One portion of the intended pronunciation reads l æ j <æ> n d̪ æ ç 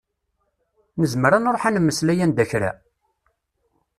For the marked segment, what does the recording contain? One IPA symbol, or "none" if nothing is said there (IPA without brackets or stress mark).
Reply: æ